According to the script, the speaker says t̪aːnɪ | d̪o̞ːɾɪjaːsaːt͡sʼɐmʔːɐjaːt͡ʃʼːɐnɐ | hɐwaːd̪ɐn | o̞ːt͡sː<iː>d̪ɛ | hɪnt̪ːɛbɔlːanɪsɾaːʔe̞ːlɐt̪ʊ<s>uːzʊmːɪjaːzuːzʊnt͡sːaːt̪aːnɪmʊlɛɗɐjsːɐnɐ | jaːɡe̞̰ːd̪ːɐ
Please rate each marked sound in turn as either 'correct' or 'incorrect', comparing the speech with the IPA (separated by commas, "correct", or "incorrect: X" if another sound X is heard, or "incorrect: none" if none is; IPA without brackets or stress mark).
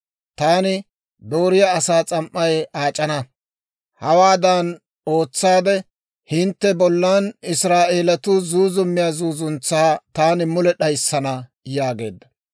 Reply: incorrect: aː, incorrect: z